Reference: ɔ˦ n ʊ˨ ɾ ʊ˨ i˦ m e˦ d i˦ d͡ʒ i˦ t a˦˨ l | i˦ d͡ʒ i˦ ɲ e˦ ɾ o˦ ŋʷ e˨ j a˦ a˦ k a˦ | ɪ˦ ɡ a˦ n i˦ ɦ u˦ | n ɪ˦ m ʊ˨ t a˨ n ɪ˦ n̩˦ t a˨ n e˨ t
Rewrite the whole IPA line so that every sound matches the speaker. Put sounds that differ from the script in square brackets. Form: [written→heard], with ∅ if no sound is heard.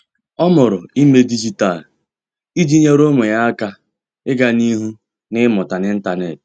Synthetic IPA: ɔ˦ [n→m] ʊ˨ ɾ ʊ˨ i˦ m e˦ d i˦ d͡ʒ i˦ t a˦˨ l | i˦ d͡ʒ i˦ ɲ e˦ ɾ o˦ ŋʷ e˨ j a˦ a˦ k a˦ | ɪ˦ ɡ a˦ n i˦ ɦ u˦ | n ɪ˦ m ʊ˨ t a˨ n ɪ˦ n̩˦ t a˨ n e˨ t